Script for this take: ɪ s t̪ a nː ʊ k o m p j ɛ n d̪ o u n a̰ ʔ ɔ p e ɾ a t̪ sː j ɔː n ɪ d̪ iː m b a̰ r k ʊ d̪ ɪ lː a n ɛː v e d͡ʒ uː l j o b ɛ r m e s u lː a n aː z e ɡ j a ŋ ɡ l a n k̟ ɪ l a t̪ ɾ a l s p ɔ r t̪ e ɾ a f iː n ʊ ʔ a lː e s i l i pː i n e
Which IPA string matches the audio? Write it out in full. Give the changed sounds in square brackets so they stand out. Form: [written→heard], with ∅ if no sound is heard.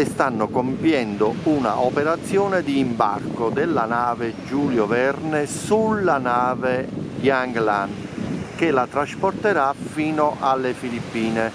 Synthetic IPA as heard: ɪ s t̪ a nː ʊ k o m p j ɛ n d̪ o u n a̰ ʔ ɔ p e ɾ a t̪ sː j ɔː n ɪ d̪ iː m b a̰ r k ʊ d̪ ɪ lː a n [ɛː→aː] v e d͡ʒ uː l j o [b→v] ɛ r [m→n] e s u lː a n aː [z→v] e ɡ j a ŋ ɡ l a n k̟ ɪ l a t̪ ɾ a [l→∅] s p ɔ r t̪ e ɾ a f iː n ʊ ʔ a lː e [s→f] i l i pː [i→iː] n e

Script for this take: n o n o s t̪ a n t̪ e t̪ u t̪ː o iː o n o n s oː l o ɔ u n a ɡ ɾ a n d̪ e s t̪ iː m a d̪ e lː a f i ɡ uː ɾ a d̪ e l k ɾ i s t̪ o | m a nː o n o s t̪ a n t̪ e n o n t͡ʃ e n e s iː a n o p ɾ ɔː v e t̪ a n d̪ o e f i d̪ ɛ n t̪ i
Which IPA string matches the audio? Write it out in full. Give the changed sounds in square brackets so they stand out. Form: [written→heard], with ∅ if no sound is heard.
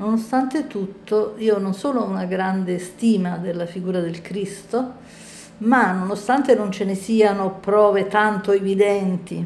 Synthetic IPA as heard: n o n o s t̪ a n t̪ e t̪ u t̪ː o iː o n o n s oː l o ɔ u n a ɡ ɾ a n d̪ e s t̪ iː m a d̪ e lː a f i ɡ uː ɾ a d̪ e l k ɾ i s t̪ o | m a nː o n o s t̪ a n t̪ e n o n t͡ʃ e n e s iː a n o p ɾ ɔː v e t̪ a n [d̪→t̪] o e [f→v] i d̪ ɛ n t̪ i

